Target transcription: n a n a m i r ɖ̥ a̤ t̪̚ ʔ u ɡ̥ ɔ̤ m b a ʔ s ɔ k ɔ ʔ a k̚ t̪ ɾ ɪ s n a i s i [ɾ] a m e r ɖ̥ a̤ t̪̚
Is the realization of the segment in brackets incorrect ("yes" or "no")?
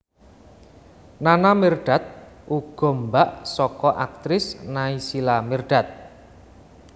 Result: yes